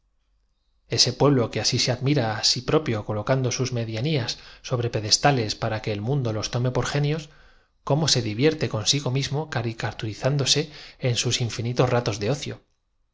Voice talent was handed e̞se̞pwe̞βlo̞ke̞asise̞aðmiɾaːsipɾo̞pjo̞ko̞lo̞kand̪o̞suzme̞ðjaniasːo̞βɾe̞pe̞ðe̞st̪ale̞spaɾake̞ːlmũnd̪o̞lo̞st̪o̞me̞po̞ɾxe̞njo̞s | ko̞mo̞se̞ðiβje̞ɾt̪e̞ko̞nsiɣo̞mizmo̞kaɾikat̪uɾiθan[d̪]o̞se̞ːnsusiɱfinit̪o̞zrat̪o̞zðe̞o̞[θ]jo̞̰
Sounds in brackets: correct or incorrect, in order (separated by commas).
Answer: correct, correct